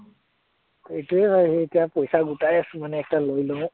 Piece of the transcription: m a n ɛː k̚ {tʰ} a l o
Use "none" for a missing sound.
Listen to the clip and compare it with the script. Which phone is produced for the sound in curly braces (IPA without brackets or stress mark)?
t